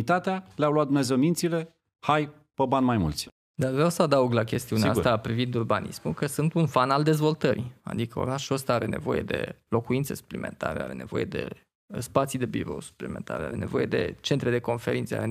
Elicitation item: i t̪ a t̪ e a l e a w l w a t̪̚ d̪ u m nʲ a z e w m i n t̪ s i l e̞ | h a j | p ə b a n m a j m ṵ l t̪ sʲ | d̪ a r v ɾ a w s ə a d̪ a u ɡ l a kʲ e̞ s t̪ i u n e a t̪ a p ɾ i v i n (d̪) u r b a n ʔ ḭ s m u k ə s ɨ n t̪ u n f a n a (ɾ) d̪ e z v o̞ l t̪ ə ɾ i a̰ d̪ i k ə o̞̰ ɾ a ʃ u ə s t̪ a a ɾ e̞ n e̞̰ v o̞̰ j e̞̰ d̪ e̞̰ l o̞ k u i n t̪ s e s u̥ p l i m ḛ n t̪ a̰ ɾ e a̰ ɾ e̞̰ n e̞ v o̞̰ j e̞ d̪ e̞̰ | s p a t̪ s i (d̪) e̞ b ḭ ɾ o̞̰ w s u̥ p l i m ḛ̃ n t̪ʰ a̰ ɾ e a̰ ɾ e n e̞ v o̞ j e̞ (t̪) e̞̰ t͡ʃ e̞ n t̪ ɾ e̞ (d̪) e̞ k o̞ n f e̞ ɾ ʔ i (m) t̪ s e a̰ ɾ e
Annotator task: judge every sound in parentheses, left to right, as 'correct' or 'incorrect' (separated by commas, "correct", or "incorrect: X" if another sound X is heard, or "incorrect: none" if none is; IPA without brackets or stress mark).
correct, incorrect: l, correct, incorrect: d̪, correct, incorrect: n